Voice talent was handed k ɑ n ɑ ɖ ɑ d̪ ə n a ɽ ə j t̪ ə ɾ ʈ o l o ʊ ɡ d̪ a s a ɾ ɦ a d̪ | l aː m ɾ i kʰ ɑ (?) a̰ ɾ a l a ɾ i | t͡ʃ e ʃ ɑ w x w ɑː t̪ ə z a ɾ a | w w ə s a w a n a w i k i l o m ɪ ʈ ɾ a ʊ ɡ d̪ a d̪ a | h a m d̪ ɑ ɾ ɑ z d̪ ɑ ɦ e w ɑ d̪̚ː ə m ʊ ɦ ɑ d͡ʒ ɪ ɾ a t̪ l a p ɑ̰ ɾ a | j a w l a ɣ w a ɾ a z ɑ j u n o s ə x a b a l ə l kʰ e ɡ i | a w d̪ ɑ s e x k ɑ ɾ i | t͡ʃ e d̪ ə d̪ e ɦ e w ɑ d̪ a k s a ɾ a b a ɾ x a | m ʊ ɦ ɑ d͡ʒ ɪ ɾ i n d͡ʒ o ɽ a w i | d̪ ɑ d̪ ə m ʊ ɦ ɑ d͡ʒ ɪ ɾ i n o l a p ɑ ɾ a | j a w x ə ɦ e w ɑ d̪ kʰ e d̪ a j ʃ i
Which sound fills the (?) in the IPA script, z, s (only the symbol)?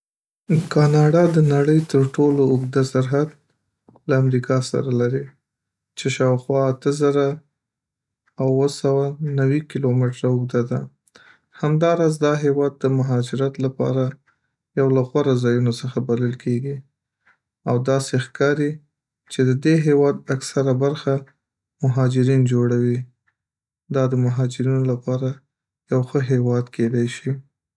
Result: s